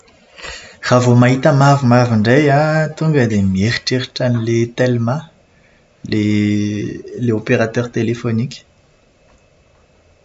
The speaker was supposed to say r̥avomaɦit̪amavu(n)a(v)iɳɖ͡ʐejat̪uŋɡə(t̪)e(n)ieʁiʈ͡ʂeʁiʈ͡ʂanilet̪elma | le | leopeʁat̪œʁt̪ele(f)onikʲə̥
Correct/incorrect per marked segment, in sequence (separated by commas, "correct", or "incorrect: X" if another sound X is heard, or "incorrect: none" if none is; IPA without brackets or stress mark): incorrect: m, correct, incorrect: d̪, incorrect: m, correct